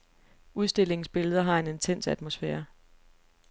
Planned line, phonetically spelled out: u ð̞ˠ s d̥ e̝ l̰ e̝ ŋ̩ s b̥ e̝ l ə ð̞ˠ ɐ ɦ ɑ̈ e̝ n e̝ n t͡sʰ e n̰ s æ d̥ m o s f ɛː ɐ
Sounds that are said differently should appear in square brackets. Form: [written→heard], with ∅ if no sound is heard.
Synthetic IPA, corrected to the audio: u ð̞ˠ s d̥ e̝ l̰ e̝ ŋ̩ s b̥ e̝ l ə ð̞ˠ ɐ ɦ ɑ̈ e̝ n e̝ n t͡sʰ e n̰ s æ d̥ m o s f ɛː ɐ